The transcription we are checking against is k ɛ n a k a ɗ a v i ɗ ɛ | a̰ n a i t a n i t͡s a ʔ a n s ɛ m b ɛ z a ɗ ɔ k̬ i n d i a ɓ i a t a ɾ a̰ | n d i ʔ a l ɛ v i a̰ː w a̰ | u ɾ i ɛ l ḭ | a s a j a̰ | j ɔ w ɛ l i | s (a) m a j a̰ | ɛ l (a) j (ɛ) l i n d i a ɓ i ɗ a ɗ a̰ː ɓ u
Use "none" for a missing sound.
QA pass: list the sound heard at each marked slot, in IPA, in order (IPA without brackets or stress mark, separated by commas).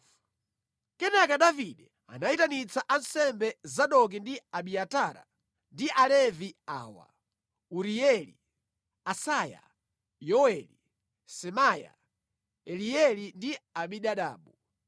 ɛ, i, ɛ